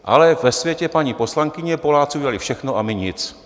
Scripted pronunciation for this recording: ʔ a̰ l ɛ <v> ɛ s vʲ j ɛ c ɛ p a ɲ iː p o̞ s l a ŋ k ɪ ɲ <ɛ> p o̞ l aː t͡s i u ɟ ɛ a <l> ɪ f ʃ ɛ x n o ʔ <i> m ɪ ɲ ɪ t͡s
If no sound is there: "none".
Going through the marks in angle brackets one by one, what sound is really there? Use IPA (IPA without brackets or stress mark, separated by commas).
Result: v, ɛ, l, a